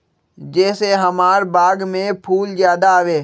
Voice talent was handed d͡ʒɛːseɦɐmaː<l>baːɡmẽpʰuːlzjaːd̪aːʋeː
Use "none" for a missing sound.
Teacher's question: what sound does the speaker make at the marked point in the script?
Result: ɾ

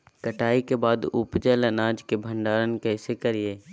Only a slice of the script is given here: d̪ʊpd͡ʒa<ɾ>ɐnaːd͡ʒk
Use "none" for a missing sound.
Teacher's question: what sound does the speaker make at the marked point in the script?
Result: l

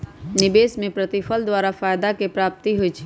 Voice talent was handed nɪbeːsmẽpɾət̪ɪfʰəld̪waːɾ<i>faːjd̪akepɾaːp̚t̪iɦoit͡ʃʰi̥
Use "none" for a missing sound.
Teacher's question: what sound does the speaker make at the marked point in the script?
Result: a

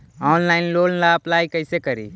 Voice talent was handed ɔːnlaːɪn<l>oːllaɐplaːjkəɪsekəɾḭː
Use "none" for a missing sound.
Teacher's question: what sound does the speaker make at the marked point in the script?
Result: l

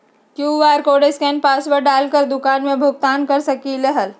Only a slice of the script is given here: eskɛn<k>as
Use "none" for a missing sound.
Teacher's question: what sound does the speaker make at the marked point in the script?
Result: p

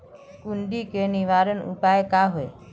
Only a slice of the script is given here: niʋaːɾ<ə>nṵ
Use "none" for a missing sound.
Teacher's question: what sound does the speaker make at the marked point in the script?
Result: ə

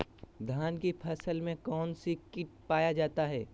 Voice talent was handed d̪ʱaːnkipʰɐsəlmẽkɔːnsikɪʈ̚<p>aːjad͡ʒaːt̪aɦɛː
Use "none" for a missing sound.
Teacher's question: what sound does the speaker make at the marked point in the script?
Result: p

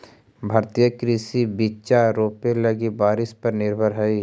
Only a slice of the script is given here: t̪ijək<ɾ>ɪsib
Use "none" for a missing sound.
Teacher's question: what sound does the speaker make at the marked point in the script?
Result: ɾ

